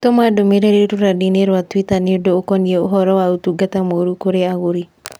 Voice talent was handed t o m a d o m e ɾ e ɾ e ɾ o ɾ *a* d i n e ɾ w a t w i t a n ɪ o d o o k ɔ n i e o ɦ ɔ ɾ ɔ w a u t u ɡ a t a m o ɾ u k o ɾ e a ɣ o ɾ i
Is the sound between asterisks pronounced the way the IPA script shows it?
yes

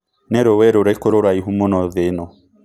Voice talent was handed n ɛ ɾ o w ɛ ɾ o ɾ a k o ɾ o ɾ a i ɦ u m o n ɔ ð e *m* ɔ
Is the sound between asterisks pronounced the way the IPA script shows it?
no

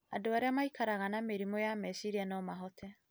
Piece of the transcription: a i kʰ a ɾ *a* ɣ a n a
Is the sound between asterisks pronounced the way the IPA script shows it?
yes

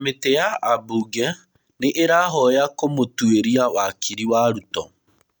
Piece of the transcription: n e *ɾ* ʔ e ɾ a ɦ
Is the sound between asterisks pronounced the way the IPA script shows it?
no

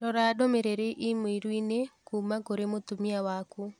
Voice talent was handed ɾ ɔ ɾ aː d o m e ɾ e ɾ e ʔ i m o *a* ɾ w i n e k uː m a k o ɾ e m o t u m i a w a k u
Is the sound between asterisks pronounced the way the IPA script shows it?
no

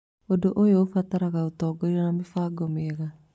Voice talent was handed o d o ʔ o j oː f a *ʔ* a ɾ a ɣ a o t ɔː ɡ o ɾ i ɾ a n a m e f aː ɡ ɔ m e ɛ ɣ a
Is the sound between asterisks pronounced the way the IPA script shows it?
no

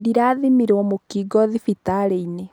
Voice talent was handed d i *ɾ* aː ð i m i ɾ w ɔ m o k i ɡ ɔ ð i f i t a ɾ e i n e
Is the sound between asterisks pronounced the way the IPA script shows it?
yes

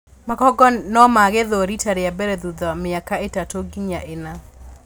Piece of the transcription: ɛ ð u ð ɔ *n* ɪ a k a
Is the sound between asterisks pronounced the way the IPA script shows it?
no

